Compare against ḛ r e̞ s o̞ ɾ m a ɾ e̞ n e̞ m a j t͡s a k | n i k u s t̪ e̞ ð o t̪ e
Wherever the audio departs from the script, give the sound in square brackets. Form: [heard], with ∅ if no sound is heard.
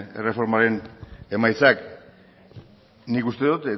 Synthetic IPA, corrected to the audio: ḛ r e̞ [f] o̞ ɾ m a ɾ e̞ n e̞ m a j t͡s a k | n i k u s t̪ e̞ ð [u] t̪ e